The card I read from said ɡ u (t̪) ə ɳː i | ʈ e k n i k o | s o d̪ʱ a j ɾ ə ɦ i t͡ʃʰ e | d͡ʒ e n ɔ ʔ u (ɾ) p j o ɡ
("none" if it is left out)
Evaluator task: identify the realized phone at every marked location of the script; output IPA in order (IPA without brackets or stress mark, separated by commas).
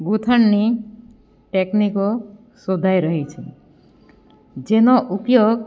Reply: t̪ʰ, none